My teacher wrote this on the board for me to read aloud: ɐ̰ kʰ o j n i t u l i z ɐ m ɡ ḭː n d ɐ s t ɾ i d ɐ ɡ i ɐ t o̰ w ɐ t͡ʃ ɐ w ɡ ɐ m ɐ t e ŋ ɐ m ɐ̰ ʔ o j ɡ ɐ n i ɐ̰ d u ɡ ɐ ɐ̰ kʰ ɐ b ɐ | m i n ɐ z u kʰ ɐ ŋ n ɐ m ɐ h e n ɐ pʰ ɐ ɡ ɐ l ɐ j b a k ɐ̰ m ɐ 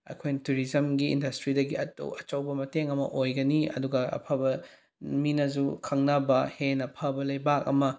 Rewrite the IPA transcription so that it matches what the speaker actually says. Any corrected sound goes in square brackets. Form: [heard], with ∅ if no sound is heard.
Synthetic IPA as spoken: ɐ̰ kʰ o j n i t u [ɾ] i z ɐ m ɡ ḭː n d ɐ s t ɾ i d ɐ ɡ i ɐ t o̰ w ɐ t͡ʃ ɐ w [b] ɐ m ɐ t e ŋ ɐ m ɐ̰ ʔ o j ɡ ɐ n i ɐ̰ d u ɡ ɐ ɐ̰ [pʰ] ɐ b ɐ | m i n ɐ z u kʰ ɐ ŋ n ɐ [b] ɐ h e n ɐ pʰ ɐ [b] ɐ l ɐ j b a k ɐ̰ m ɐ